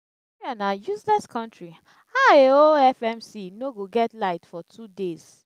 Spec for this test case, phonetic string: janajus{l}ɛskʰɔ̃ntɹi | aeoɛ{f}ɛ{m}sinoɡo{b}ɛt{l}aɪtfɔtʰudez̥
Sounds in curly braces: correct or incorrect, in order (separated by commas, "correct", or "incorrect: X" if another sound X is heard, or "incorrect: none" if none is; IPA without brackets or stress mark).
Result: correct, correct, correct, incorrect: ɡ, correct